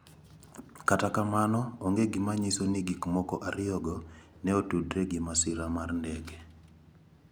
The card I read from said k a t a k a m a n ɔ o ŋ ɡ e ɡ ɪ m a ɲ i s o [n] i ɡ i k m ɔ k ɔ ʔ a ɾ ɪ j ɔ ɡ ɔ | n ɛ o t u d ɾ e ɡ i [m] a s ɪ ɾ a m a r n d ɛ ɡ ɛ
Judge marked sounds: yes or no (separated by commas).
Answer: yes, yes